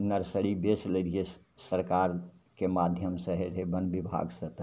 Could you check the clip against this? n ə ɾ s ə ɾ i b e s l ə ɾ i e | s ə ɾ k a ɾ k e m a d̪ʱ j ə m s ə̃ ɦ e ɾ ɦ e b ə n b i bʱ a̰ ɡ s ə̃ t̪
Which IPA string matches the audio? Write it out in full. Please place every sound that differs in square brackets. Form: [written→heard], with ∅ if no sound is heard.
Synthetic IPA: n ə ɾ s ə ɾ i b e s l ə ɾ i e | s ə ɾ k a ɾ k e m a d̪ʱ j ə m s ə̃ ɦ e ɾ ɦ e b ə n b i bʱ a̰ ɡ s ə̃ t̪